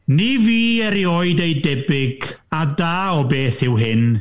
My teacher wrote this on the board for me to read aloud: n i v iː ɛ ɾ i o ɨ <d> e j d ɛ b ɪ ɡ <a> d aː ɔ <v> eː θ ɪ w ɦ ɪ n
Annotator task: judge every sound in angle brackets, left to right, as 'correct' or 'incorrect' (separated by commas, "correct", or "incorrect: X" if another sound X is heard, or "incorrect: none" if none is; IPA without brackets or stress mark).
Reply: correct, correct, incorrect: b